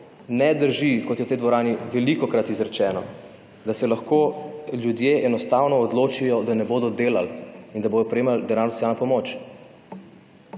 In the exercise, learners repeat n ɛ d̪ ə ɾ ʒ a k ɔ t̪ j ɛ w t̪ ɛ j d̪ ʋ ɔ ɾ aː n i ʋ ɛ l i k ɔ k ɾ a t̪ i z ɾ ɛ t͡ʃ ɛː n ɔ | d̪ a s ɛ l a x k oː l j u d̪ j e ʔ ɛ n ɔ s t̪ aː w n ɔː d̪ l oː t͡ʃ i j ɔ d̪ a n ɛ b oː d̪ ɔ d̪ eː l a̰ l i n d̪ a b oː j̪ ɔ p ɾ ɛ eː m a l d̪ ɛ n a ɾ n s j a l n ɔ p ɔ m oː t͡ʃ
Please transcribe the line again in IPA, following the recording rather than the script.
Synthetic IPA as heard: n ɛ d̪ ə ɾ ʒ i k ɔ t̪ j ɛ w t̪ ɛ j d̪ ʋ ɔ ɾ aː n i ʋ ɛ l i k ɔ k ɾ a t̪ i z ɾ ɛ t͡ʃ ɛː n ɔ | d̪ a s ɛ l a x k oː l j u d̪ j e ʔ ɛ n ɔ s t̪ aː w n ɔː d̪ l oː t͡ʃ i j ɔ d̪ a n ɛ b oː d̪ ɔ d̪ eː l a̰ l i n d̪ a b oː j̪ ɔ p ɾ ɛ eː m a l d̪ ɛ n a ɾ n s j a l n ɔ p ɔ m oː t͡ʃ

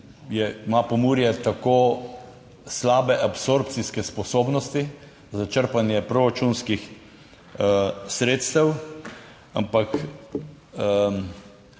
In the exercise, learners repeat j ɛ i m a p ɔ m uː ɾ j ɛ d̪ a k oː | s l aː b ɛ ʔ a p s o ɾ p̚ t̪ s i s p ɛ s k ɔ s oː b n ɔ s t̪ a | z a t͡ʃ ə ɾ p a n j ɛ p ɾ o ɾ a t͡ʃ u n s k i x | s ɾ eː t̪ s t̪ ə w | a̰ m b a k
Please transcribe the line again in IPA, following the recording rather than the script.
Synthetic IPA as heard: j ɛ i m a p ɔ m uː ɾ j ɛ t̪ a k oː | s l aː b ɛ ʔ a p s o ɾ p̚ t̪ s i s k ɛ s p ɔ s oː b n ɔ s t̪ i | z a t͡ʃ ə ɾ p a n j ɛ p ɾ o ɾ a t͡ʃ u n s k i x | s ɾ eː t̪ s t̪ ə w | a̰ m p a k

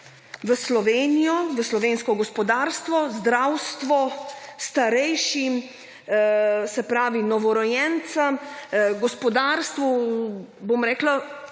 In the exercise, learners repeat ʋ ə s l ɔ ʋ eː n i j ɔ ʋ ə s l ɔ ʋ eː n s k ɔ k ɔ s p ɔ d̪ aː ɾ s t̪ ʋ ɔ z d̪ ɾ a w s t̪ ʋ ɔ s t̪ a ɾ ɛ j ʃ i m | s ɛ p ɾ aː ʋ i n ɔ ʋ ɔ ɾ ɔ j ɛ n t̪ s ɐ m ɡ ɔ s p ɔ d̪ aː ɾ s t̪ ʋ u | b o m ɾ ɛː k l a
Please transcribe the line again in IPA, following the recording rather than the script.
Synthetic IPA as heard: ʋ ə s l ɔ ʋ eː n i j ɔ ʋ ə s l ɔ ʋ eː n s k ɔ ɡ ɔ s p ɔ d̪ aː ɾ s t̪ ʋ ɔ z d̪ ɾ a w s t̪ ʋ ɔ s t̪ a ɾ ɛ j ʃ i m | s ɛ p ɾ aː ʋ i n ɔ ʋ ɔ ɾ ɔ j ɛ n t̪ s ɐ m ɡ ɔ s p ɔ d̪ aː ɾ s t̪ ʋ u | b o m ɾ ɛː k l a

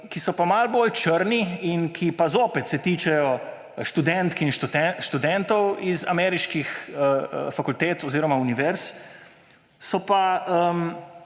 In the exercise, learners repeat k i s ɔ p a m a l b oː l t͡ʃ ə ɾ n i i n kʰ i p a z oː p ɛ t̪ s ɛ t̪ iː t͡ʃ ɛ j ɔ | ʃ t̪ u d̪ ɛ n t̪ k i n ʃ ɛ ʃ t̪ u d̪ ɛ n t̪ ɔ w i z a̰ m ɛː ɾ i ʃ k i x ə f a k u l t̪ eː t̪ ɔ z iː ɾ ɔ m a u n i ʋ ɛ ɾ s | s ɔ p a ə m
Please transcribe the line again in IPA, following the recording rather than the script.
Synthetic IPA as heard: k i s ɔ p a m a l b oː l t͡ʃ ə ɾ n i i n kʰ i p a z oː p ɛ t̪ s ɛ t̪ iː t͡ʃ ɛ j ɔ | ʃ t̪ u d̪ ɛ n t̪ k i n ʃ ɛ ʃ t̪ u d̪ ɛ n t̪ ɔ w i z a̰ m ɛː ɾ i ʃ k i x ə f a k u l t̪ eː t̪ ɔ z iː ɾ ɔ m a u n i ʋ ɛ ɾ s | s ɔ p a ə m

